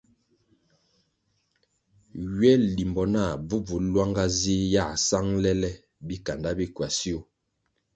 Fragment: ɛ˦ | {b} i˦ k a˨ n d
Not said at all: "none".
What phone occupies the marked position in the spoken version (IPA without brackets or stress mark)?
b